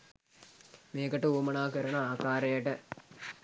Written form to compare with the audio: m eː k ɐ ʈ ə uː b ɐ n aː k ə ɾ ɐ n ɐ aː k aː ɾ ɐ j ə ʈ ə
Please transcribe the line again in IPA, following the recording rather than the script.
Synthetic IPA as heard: m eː k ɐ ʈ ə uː m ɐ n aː k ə ɾ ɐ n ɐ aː k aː ɾ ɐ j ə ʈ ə